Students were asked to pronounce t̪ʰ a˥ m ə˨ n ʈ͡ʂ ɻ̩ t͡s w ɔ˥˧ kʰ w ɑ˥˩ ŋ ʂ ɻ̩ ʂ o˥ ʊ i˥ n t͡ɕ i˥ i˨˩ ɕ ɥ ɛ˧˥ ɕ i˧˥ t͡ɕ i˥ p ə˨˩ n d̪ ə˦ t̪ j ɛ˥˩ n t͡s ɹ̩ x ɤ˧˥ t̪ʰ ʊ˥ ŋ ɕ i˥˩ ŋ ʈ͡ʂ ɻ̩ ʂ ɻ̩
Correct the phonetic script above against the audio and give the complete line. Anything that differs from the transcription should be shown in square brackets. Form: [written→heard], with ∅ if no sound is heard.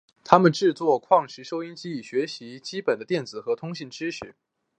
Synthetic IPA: t̪ʰ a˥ m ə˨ n ʈ͡ʂ ɻ̩ t͡s w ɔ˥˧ kʰ w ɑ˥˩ ŋ ʂ ɻ̩ ʂ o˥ ʊ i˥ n t͡ɕ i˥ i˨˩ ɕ ɥ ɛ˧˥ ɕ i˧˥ t͡ɕ i˥ p ə˨˩ n d̪ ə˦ t̪ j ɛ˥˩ n t͡s ɹ̩ x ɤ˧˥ t̪ʰ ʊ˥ ŋ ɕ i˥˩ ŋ ʈ͡ʂ ɻ̩ ʂ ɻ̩